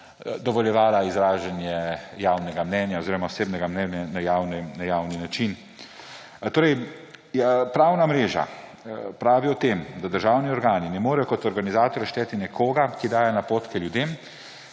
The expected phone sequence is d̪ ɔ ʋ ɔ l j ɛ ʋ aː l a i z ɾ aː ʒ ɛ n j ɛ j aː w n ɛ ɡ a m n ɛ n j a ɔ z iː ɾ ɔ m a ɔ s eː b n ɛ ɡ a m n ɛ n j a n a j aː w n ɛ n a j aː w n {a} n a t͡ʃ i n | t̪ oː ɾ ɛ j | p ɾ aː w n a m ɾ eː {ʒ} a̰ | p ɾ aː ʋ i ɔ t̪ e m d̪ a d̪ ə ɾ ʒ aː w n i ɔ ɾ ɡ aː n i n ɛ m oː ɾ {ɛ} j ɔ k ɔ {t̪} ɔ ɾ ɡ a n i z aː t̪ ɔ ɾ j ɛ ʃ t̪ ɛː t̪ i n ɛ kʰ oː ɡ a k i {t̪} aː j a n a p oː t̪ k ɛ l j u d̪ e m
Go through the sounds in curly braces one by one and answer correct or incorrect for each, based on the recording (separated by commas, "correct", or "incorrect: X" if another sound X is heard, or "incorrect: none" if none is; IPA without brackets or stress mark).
incorrect: i, correct, correct, correct, incorrect: d̪